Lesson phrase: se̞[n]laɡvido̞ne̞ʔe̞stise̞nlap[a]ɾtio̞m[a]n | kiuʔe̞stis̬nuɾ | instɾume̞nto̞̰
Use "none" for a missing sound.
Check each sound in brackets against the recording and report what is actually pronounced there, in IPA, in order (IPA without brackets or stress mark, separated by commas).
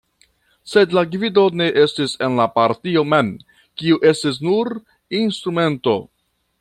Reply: d, a, e